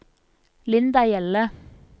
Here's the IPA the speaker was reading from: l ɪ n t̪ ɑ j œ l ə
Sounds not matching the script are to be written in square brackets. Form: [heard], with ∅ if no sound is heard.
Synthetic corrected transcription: l ɪ n [d̪] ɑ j [ɛ] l ə